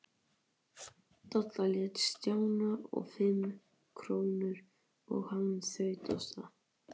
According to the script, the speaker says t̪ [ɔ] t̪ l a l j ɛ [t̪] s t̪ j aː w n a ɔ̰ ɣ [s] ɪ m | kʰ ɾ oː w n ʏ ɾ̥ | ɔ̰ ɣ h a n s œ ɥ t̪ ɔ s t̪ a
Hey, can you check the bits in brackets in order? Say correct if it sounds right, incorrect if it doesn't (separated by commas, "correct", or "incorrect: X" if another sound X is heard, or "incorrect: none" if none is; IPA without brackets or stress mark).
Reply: correct, correct, incorrect: f